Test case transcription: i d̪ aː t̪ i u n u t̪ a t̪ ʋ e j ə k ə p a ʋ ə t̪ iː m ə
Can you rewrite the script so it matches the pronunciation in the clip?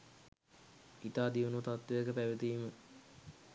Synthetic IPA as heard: i t̪ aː d̪ i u n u t̪ a t̪ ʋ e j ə k ə p æ ʋ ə t̪ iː m ə